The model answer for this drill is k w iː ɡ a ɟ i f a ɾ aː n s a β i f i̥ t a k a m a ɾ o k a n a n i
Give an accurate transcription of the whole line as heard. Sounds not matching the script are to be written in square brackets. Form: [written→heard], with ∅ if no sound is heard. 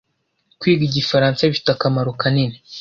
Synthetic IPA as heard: k w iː ɡ [a→i] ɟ i f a ɾ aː n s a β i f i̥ t a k a m a ɾ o k a n [a→i] n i